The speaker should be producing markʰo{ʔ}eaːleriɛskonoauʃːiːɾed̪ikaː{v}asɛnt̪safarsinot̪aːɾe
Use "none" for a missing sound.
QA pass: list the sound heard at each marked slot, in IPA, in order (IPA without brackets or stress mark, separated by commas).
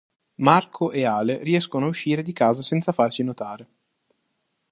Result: ʔ, z